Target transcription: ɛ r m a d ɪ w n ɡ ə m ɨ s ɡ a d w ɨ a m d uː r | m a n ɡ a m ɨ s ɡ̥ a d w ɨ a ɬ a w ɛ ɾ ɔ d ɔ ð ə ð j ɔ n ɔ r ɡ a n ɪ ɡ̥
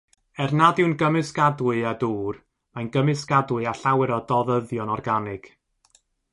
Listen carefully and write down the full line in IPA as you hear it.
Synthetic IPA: ɛ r n a d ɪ w n ɡ ə m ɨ s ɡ a d w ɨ a d uː r | m a n ɡ ə m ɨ s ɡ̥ a d w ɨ a ɬ a w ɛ ɾ ɔ d ɔ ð ə ð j ɔ n ɔ r ɡ a n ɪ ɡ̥